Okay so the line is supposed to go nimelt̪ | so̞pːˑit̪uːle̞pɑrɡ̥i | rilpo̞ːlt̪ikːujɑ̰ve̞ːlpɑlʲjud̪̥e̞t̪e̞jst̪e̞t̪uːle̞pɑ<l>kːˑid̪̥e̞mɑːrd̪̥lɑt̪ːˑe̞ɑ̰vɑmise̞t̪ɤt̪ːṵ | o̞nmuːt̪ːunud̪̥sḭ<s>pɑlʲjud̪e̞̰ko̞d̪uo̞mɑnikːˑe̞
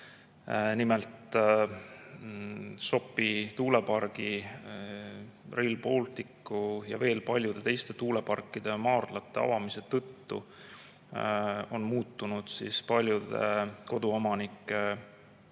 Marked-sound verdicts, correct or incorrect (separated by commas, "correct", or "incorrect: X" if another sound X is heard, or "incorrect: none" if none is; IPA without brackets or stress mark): incorrect: r, correct